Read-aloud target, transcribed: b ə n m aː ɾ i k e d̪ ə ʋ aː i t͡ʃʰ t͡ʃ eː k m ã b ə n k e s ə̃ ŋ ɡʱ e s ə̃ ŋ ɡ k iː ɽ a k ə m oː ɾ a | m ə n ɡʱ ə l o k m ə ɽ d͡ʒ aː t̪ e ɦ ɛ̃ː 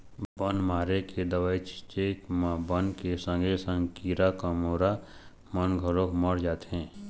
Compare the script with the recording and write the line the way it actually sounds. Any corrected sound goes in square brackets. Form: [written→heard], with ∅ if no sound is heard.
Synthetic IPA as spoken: b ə n m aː ɾ [i→e] k e d̪ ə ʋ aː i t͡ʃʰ t͡ʃ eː k m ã b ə n k e s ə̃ ŋ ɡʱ e s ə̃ ŋ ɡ k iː [ɽ→ɾ] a k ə m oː ɾ a | m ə n ɡʱ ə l o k m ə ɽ d͡ʒ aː t̪ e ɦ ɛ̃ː